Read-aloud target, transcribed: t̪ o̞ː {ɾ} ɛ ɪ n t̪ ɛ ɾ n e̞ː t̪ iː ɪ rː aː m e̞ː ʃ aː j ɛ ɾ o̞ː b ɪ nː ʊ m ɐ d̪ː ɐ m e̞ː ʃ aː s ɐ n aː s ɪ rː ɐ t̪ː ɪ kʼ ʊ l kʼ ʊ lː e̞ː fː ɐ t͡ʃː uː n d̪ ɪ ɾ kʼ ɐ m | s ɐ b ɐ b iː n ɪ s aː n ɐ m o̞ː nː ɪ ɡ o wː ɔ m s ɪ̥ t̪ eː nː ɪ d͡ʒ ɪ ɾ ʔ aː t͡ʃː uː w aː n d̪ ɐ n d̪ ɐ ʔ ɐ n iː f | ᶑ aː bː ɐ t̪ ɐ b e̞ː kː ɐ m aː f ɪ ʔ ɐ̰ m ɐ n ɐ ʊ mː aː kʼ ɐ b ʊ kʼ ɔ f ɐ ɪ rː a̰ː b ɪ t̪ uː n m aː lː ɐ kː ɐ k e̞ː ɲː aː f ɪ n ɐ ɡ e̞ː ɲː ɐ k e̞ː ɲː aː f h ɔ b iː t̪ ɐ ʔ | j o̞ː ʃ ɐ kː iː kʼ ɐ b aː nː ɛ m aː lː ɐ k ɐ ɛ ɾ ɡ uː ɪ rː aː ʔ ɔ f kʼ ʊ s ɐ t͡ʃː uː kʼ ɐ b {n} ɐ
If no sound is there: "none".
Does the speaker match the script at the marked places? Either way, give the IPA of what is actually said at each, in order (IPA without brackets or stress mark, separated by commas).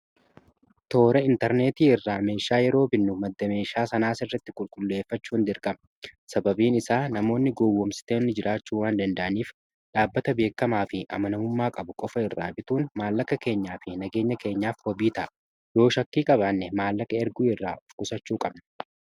ɾ, n